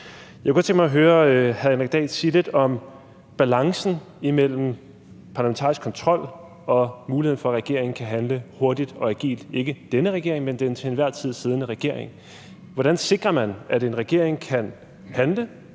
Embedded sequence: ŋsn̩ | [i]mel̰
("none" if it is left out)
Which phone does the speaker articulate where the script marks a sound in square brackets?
i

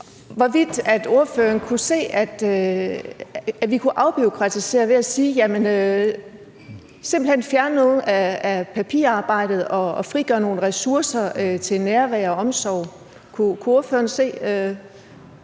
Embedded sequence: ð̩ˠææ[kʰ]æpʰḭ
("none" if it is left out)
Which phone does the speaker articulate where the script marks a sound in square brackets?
pʰ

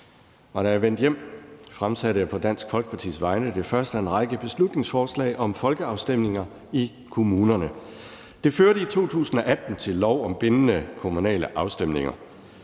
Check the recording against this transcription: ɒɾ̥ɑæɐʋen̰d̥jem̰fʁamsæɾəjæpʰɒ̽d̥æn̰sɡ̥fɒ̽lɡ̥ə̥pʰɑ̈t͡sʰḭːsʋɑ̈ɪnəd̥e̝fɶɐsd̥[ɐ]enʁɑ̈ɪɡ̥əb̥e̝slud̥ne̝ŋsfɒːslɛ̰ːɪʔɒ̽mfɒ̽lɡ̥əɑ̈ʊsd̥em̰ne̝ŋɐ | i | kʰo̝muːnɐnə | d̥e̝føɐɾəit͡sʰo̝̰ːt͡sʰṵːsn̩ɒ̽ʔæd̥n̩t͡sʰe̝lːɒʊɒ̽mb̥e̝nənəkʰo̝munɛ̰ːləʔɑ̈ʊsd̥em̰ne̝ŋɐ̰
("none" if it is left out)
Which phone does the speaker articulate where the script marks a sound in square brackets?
ə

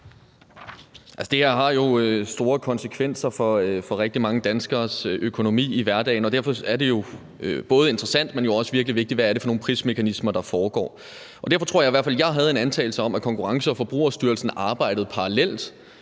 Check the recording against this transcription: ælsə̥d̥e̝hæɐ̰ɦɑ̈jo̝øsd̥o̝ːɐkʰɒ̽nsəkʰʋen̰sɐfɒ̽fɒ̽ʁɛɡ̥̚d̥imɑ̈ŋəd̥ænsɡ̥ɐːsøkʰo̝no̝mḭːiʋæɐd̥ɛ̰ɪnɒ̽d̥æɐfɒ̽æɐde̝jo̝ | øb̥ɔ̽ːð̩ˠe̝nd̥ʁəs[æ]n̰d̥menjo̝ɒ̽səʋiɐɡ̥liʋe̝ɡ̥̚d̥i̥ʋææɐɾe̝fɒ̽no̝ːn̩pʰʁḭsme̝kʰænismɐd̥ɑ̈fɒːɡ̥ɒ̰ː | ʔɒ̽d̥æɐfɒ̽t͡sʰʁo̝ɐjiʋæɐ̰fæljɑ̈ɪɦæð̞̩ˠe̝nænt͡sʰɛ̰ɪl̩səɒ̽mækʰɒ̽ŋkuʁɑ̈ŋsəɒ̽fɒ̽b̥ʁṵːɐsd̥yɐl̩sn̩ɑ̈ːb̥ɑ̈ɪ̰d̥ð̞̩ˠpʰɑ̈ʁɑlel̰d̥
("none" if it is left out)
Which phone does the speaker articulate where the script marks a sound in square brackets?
æ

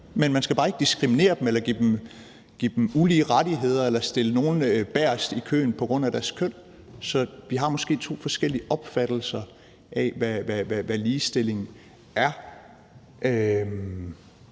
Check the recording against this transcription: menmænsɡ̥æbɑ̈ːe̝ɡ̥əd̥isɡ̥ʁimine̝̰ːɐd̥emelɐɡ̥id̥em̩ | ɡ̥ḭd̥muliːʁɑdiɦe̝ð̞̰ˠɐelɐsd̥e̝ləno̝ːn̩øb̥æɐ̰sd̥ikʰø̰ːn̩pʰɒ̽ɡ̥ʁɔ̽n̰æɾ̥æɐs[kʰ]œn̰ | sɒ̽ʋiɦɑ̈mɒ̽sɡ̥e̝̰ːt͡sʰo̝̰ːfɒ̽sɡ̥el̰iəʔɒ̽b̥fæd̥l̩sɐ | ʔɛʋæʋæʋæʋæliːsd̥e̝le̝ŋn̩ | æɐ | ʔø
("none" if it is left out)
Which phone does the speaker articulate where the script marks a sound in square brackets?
kʰ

